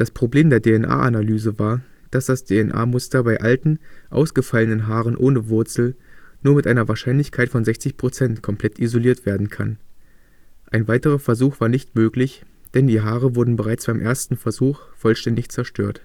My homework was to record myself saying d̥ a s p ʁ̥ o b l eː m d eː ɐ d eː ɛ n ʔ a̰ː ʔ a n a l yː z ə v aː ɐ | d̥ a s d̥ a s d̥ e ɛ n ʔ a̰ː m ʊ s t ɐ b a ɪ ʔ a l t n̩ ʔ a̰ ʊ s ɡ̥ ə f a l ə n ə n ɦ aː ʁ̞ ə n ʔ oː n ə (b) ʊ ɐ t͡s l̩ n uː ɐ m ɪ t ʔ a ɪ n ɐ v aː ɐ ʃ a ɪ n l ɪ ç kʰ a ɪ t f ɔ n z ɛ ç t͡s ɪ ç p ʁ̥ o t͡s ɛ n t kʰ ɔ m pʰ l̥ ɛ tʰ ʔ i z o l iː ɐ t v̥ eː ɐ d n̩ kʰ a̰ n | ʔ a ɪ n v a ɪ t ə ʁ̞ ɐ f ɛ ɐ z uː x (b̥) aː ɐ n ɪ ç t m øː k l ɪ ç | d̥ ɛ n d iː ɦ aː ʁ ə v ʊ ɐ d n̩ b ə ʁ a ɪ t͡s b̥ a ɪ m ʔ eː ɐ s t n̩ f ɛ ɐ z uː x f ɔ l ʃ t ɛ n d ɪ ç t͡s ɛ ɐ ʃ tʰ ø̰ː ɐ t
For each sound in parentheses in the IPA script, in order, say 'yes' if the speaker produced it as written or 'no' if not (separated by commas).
no, no